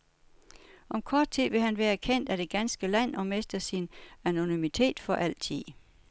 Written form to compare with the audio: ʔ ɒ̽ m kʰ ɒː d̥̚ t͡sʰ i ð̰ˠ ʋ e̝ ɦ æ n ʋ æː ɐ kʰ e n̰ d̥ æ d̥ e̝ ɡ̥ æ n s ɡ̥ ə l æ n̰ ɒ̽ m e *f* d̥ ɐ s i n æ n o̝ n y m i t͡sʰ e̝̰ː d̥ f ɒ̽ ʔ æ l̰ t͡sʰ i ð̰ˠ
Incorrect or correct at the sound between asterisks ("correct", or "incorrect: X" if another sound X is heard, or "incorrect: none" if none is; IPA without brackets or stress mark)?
incorrect: s